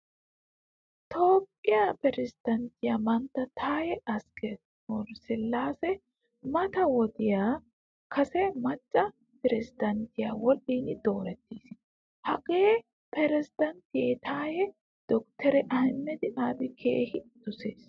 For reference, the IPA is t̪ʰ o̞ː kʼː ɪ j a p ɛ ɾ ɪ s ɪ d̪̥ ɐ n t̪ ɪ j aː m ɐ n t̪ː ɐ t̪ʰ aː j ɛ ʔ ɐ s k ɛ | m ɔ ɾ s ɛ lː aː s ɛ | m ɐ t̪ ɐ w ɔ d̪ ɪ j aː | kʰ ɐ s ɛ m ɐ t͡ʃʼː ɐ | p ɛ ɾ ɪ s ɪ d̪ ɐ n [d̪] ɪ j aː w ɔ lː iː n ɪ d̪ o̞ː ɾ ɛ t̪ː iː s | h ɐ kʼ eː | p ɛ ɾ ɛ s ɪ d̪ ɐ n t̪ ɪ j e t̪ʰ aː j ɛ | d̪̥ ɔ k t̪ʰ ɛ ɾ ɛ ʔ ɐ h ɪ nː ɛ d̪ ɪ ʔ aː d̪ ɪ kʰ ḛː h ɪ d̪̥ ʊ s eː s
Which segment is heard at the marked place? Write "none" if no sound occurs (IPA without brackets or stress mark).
t̪